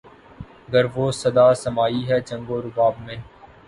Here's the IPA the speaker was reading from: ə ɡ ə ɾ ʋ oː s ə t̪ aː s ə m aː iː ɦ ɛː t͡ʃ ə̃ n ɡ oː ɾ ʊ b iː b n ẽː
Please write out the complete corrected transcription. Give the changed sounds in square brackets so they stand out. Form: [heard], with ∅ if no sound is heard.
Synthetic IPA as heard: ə ɡ ə ɾ ʋ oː s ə [d̪] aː s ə m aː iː ɦ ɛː t͡ʃ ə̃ [ŋ] ɡ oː ɾ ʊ b [aː] b [m] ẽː